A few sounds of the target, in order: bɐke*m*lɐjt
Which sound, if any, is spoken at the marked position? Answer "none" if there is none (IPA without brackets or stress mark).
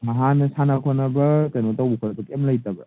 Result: m